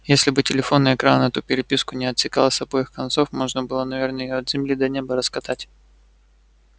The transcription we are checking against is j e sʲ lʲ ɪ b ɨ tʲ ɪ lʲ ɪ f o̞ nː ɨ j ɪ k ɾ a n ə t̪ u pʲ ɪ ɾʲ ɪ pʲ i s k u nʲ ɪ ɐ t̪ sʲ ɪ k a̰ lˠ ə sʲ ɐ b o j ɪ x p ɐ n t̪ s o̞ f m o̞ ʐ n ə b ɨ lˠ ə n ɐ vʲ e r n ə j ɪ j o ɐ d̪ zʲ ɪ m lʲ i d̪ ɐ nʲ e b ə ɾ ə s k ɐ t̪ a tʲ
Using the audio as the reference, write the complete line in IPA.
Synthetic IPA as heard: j e sʲ lʲ ɪ b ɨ tʲ ɪ lʲ ɪ f o̞ nː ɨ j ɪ k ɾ a n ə t̪ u pʲ ɪ ɾʲ ɪ pʲ i s k ʊ nʲ ɪ ɐ t̪ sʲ ɪ k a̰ lˠ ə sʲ ɐ b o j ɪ x k ɐ n t̪ s o̞ f m o̞ ʐ n ə b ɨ lˠ ə n ɐ vʲ e r n ə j ɪ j o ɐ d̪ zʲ ɪ m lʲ i d̪ ɐ nʲ e b ə ɾ ə s k ɐ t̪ a tʲ

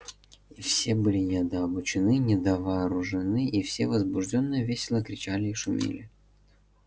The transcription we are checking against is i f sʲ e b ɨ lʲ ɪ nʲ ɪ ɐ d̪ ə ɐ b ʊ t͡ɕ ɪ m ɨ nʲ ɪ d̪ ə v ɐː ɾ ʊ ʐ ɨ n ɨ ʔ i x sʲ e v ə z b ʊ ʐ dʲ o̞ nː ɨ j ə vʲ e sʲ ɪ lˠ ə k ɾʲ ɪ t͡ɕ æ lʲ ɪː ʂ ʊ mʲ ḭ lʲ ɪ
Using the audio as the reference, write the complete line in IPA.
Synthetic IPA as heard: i f sʲ e b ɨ lʲ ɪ nʲ ɪ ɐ d̪ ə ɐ b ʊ t͡ɕ ɪ n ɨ nʲ ɪ d̪ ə v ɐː ɾ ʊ ʐ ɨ n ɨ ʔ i f sʲ e v ə z b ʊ ʐ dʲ o̞ nː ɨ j ə vʲ e sʲ ɪ lˠ ə k ɾʲ ɪ t͡ɕ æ lʲ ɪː ʂ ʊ mʲ ḭ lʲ ɪ

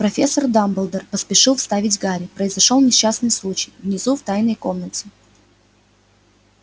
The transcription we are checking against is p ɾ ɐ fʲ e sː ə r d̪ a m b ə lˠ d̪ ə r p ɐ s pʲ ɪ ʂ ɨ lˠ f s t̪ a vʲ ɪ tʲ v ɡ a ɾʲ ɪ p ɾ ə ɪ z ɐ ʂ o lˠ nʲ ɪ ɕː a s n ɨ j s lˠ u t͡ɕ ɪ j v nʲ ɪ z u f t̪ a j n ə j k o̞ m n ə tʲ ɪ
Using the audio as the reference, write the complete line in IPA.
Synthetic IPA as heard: p ɾ ɐ fʲ e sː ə r d̪ a m b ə lˠ d̪ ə r p ə s pʲ ɪ ʂ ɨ lˠ f s t̪ a vʲ ɪ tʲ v ɡ a ɾʲ ɪ p ɾ ə ɪ z ɐ ʂ o lˠ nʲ ɪ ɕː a s n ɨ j s lˠ u t͡ɕ ɪ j v nʲ ɪ z u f t̪ a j n ə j k o̞ m n ə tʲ ɪ

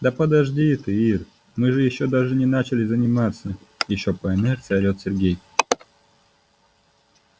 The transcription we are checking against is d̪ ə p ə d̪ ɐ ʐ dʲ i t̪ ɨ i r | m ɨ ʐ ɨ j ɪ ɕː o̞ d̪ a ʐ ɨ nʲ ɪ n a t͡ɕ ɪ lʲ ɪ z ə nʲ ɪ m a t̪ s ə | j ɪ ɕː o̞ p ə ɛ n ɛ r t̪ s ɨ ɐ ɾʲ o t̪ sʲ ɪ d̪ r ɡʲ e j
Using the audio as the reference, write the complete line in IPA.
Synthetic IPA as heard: d̪ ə p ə d̪ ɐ ʐ dʲ i t̪ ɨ i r | m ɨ ʐ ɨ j ɪ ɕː o̞ d̪ a ʐ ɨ nʲ ɪ n a t͡ɕ ɪ lʲ ɪ z ə nʲ ɪ m a t̪ s ə | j ɪ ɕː o̞ p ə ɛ n ɛ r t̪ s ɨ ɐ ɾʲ o t̪ sʲ ɪ r ɡʲ e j

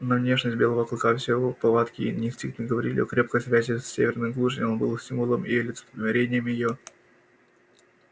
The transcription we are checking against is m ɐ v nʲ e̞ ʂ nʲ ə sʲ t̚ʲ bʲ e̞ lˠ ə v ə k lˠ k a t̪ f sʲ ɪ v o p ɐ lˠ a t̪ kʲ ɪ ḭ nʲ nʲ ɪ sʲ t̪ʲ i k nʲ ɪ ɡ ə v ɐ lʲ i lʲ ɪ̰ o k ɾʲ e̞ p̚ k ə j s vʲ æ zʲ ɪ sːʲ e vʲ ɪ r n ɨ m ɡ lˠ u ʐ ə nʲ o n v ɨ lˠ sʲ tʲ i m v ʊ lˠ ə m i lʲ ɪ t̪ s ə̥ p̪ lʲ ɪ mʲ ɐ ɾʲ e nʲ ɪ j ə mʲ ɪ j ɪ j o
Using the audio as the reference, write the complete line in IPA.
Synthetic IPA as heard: n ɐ v nʲ e̞ ʂ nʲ ə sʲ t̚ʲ bʲ e̞ lˠ ə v ə k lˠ k a f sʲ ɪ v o p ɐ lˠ a t̪ kʲ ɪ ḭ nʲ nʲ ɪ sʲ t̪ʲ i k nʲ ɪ ɡ ə v ɐ ɾʲ i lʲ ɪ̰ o k ɾʲ e̞ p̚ k ə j s vʲ æ zʲ ɪ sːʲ e vʲ ɪ r n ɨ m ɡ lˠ u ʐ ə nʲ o n b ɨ lˠ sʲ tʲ i m v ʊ lˠ ə m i lʲ ɪ t̪ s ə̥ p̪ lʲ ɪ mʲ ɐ ɾʲ e nʲ ɪ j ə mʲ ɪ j ɪ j o

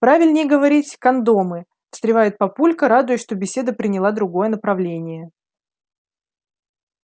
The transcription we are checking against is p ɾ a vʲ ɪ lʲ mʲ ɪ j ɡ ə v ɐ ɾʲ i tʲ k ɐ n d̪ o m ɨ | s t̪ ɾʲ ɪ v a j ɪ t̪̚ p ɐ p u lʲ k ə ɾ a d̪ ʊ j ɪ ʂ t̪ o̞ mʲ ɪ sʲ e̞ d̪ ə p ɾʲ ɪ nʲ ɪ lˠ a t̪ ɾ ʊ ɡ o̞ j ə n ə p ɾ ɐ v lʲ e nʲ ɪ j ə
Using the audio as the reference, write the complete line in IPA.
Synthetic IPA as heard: p ɾ a vʲ ɪ lʲ nʲ ɪ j ɡ ə v ɐ ɾʲ i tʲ k ɐ n d̪ o m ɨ | s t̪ ɾʲ ɪ v a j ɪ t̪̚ p ɐ p u lʲ k ə ɾ a d̪ ʊ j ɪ ʂ t̪ o̞ bʲ ɪ sʲ e̞ d̪ ə p ɾʲ ɪ nʲ ɪ lˠ a d̪ ɾ ʊ ɡ o̞ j ə n ə p ɾ ɐ v lʲ e nʲ ɪ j ə

